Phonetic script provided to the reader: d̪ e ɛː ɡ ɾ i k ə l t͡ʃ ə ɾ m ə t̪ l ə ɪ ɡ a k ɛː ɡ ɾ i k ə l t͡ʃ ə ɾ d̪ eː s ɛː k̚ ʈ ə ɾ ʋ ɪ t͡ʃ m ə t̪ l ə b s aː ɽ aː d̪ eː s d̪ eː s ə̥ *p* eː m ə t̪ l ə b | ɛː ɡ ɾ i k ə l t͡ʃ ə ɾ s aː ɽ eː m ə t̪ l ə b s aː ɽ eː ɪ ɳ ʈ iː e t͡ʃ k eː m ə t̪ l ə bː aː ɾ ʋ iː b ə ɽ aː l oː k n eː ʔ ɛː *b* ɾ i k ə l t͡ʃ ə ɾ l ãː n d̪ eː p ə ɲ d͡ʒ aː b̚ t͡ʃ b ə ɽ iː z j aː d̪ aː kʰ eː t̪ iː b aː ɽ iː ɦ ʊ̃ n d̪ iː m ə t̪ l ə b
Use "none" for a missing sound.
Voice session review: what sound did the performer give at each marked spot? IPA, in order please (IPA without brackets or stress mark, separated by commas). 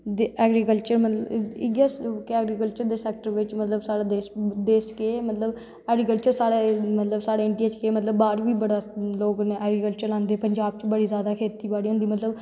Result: k, ɡ